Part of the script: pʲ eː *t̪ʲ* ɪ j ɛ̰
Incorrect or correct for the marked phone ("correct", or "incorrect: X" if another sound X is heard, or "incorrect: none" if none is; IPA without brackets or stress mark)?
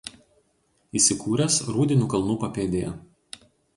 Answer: incorrect: d̪ʲ